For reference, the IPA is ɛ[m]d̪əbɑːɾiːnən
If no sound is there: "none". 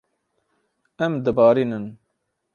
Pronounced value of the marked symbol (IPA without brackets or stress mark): m